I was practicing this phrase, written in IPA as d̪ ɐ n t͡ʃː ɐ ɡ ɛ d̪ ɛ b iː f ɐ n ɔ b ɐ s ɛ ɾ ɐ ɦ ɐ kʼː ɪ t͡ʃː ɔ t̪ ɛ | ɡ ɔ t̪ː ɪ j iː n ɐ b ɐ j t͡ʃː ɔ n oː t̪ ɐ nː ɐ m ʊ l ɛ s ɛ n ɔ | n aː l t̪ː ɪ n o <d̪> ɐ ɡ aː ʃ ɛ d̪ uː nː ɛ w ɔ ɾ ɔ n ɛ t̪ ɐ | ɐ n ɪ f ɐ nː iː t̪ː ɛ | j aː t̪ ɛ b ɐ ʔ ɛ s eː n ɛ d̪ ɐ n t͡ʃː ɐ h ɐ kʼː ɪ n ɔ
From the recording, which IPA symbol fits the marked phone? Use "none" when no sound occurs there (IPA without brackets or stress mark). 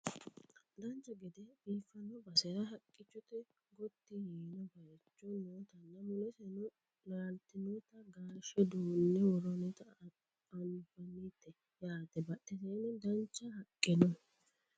t̪